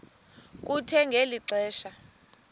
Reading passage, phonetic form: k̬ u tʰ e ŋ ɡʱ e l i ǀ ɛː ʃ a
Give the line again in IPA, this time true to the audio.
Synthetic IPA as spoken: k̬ u tʰ ɛ ŋ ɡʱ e l i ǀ ɛː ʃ a